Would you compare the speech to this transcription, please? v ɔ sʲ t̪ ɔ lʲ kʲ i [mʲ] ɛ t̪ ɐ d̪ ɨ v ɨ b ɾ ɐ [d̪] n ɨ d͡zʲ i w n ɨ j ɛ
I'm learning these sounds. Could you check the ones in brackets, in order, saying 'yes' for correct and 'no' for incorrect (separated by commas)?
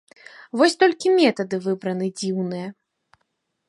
yes, no